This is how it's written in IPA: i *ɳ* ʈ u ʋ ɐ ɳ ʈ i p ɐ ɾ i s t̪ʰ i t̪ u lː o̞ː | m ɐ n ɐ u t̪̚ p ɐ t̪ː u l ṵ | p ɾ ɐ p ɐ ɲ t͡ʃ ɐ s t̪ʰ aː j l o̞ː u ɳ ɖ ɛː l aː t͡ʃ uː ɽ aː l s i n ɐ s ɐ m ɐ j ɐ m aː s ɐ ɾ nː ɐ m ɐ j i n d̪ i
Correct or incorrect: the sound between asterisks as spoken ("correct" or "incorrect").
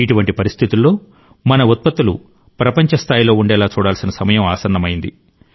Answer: incorrect